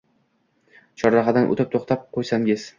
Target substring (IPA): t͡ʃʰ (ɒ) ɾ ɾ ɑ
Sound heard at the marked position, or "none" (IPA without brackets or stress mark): ɒ